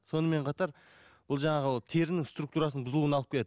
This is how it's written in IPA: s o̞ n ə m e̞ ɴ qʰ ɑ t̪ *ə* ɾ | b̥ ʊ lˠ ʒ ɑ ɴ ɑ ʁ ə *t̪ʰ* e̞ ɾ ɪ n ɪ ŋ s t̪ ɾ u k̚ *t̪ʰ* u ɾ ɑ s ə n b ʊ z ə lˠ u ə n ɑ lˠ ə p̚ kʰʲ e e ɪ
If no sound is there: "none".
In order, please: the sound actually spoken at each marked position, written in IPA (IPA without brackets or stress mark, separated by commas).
ɑ, t̪ʰ, t̪